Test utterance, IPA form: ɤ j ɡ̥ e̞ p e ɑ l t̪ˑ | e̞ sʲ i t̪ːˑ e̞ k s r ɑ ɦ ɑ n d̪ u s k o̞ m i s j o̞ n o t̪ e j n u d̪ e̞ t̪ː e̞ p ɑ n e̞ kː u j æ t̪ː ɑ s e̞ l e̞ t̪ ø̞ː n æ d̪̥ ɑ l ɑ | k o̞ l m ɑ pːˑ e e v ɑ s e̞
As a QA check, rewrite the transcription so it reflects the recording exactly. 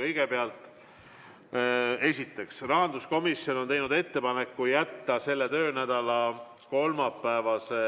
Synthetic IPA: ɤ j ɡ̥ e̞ p e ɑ l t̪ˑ | e̞ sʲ i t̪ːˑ e̞ k s r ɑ ɦ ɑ n d̪ u s k o̞ m i s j o̞ n o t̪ e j n u d̪ e̞ t̪ː e̞ p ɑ n e̞ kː u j æ t̪ː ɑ s e̞ lː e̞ t̪ ø̞ː n æ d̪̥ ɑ l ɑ | k o̞ l m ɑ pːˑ æ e v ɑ s e̞